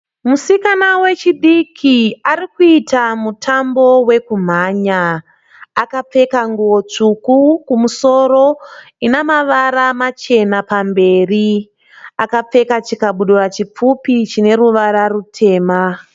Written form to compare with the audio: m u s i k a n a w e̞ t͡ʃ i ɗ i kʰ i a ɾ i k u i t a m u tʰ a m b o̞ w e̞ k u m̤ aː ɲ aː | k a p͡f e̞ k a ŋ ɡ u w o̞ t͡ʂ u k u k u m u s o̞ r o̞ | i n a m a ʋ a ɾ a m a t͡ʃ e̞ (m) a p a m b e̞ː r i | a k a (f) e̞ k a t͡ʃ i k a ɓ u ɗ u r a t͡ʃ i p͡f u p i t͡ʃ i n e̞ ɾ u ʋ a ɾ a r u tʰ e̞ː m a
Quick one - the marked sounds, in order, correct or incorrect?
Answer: incorrect: n, incorrect: p͡f

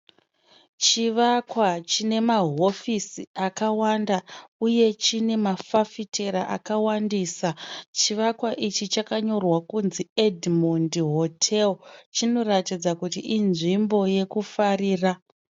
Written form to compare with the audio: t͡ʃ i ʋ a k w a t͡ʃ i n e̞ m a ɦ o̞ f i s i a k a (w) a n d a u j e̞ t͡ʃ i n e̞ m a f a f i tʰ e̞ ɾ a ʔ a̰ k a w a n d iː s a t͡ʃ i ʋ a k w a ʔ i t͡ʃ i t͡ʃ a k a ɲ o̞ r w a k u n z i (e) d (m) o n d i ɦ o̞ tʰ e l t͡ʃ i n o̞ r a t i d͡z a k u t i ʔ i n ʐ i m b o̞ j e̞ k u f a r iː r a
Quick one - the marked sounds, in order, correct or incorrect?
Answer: correct, correct, correct

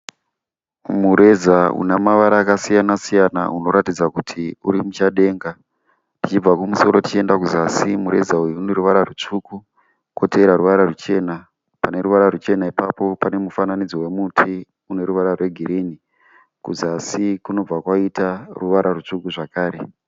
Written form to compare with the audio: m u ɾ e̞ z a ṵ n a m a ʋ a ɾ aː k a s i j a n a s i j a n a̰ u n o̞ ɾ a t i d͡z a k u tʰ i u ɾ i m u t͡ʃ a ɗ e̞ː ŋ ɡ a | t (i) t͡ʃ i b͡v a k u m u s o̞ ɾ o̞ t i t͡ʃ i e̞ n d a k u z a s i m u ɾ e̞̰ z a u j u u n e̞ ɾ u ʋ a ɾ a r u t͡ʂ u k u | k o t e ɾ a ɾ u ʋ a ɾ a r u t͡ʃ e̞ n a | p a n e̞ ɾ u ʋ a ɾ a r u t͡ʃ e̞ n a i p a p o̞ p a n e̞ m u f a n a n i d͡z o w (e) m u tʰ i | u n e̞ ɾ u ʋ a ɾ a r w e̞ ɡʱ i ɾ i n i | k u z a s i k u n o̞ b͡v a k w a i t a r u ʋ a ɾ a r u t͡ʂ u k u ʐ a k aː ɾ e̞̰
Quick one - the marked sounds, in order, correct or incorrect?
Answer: correct, correct

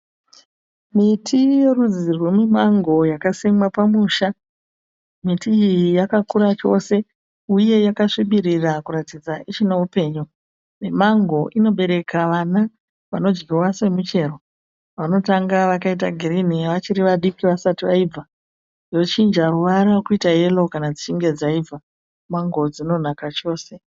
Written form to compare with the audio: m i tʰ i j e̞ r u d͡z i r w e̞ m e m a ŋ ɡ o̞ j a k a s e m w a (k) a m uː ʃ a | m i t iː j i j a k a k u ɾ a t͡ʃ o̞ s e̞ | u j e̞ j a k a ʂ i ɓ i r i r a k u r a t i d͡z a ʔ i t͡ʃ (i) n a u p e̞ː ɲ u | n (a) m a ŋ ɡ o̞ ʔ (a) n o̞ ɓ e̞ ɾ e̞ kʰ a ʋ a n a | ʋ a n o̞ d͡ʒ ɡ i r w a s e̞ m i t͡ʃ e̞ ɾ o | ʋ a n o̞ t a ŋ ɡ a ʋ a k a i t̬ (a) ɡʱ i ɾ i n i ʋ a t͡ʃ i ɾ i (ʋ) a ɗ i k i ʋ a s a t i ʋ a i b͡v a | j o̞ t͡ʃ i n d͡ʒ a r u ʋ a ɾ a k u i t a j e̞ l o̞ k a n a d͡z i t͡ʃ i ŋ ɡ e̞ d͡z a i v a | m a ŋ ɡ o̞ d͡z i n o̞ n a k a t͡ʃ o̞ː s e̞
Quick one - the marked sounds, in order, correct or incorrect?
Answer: incorrect: p, correct, incorrect: e, incorrect: i, correct, correct

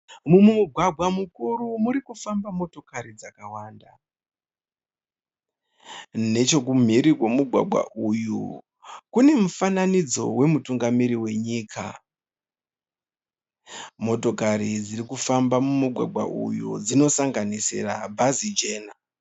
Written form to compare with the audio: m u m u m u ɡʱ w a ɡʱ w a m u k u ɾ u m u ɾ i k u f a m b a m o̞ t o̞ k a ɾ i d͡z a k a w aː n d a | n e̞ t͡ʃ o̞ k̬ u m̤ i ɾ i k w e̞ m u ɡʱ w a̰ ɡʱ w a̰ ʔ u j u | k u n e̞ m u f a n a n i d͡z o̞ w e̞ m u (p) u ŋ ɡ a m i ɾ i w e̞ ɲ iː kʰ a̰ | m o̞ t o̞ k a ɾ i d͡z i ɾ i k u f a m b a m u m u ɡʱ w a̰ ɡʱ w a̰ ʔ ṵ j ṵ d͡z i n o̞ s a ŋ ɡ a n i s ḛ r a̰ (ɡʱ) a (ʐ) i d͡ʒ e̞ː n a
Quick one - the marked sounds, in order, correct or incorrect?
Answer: incorrect: t, incorrect: bʱ, incorrect: z

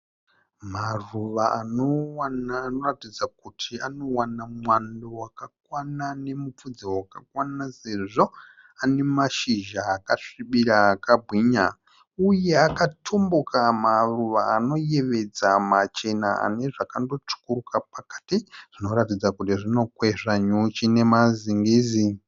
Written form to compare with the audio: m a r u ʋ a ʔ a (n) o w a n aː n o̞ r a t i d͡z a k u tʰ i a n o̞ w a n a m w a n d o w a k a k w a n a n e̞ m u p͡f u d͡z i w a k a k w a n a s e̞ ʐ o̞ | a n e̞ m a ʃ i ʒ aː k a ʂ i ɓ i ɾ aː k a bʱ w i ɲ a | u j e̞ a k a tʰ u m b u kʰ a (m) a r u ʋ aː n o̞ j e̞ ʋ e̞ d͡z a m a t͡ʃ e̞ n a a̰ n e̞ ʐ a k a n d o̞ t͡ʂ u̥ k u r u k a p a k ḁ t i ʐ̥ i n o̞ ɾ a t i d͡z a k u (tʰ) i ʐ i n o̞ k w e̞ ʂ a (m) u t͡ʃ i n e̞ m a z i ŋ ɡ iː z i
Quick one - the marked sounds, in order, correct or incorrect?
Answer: correct, correct, incorrect: t, incorrect: ɲ

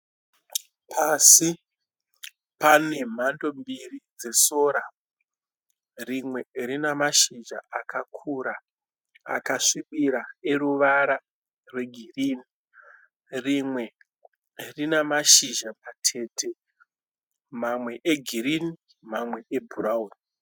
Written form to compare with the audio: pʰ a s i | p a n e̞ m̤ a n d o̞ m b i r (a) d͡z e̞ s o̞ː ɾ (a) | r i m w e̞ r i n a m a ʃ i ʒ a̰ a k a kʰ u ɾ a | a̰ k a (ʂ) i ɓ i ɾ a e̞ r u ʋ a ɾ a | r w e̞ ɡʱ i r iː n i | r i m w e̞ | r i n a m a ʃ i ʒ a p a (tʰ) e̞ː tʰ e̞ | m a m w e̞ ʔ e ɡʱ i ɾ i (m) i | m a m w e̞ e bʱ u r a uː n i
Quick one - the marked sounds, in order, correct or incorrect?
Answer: incorrect: i, correct, correct, correct, incorrect: n

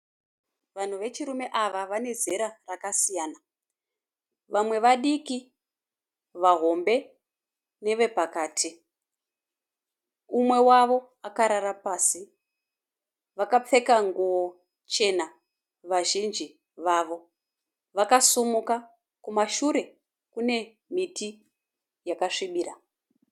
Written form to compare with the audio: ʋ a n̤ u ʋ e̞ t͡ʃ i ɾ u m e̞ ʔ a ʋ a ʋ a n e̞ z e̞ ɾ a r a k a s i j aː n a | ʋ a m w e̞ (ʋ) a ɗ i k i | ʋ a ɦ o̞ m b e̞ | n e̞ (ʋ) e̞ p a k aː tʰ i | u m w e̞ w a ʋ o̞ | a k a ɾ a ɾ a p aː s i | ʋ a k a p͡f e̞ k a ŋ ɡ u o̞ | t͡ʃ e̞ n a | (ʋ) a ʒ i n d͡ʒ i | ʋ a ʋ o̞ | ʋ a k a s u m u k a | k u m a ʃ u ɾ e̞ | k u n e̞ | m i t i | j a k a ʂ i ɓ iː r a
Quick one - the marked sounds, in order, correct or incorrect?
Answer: correct, correct, correct

